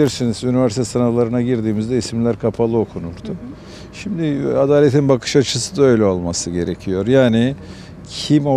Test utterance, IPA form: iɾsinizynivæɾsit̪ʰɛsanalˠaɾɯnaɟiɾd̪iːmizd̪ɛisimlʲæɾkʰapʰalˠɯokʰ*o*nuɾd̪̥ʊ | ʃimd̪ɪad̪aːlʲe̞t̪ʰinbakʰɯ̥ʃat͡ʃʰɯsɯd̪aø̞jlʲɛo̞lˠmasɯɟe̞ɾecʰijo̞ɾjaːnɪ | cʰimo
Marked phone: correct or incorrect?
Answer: incorrect